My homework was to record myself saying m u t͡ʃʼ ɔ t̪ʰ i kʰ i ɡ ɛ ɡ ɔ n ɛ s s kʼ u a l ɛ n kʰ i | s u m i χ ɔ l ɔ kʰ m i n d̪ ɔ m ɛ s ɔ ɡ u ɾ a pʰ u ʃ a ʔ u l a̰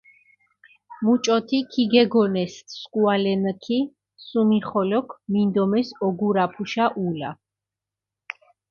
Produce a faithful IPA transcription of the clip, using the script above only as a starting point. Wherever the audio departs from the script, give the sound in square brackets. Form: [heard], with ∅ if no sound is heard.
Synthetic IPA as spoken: m u t͡ʃʼ ɔ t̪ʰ i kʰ i ɡ ɛ ɡ ɔ n ɛ s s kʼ u a l ɛ n kʰ i | s u m i χ ɔ l ɔ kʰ m i n d̪ ɔ m ɛ s ɔ ɡ u ɾ a pʰ u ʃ a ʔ u l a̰